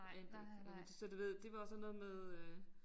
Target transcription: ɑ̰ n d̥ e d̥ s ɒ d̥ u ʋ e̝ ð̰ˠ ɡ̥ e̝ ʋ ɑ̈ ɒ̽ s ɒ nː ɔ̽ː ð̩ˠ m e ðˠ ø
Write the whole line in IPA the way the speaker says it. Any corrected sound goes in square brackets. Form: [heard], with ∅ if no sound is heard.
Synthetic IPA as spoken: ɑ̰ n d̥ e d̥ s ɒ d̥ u ʋ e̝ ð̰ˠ [d̥] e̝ ʋ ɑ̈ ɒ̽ s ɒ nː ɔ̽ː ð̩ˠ m e ðˠ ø